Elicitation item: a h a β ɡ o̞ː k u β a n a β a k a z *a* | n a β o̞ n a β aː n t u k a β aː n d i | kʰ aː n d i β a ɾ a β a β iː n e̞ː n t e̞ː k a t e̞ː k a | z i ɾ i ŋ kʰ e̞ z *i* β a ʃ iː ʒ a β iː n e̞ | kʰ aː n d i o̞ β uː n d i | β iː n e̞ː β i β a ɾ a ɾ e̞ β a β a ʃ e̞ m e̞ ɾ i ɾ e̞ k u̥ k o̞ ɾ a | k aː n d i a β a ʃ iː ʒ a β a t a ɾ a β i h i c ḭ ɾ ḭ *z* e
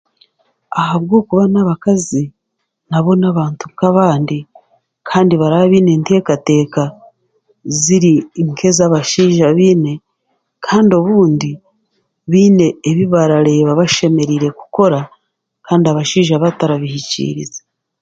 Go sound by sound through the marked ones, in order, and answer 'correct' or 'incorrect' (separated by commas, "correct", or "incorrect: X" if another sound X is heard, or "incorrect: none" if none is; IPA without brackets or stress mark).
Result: incorrect: i, incorrect: a, correct